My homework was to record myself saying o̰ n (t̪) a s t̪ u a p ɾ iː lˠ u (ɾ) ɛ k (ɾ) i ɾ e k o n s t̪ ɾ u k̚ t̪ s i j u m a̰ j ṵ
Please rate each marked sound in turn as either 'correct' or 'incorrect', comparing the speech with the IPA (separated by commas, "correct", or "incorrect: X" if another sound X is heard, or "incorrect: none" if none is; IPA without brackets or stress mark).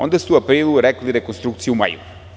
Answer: incorrect: d̪, correct, incorrect: l